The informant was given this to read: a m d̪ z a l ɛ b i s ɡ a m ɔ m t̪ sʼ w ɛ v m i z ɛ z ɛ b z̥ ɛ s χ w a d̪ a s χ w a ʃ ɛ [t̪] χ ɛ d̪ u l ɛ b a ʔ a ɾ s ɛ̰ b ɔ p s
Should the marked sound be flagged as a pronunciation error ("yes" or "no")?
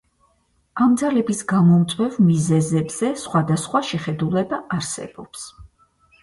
yes